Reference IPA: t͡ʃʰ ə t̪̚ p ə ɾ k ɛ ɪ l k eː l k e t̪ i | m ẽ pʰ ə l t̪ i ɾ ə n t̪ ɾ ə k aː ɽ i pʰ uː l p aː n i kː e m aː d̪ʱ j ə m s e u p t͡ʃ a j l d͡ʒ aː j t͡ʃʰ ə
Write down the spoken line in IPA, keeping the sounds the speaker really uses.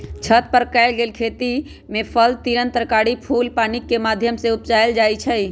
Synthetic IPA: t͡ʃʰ ə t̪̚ p ə ɾ k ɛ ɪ l ɡ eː l kʰ e t̪ i | m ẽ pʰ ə l t̪ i ɾ ə n t̪ ɾ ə k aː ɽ i pʰ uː l p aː n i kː e m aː d̪ʱ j ə m s e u p t͡ʃ a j l d͡ʒ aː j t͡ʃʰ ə